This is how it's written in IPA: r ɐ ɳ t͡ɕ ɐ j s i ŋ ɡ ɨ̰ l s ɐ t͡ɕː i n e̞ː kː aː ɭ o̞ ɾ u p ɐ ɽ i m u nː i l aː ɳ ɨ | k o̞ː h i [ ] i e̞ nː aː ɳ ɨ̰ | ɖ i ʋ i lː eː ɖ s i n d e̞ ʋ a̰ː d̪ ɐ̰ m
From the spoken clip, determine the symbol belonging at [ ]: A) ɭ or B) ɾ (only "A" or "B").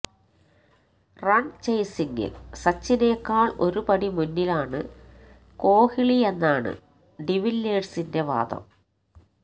A